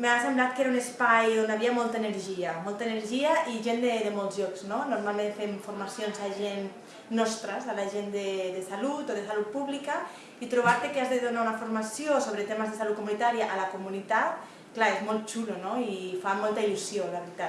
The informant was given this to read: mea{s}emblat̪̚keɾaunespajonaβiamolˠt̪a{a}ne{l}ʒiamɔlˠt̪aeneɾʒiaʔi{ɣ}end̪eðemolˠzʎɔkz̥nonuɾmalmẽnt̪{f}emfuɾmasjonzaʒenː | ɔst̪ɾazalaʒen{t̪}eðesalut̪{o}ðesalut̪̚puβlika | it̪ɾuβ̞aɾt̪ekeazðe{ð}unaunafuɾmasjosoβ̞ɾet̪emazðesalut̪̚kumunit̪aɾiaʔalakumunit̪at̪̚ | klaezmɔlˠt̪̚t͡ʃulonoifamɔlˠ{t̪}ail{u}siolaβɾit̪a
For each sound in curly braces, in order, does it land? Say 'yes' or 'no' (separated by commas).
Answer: yes, no, no, no, yes, no, yes, yes, yes, yes